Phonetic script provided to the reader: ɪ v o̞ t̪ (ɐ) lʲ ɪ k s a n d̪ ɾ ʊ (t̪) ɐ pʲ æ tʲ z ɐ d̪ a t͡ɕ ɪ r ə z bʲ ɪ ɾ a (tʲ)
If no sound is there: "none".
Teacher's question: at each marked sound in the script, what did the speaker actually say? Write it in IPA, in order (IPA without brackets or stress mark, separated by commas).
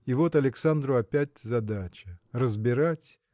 ɐ, none, tʲ